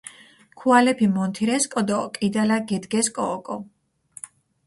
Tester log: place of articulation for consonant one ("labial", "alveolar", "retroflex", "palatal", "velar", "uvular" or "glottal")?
velar